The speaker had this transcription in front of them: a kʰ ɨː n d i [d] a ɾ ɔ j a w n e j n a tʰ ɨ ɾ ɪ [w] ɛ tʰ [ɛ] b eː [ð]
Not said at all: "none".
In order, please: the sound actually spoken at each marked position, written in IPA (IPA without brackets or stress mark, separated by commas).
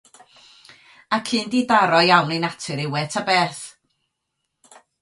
d, w, a, θ